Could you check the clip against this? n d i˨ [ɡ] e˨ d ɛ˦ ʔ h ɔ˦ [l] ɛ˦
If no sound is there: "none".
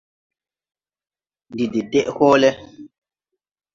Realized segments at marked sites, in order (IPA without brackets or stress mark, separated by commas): d, l